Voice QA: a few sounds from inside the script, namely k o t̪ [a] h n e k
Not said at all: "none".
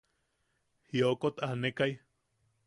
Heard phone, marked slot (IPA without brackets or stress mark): a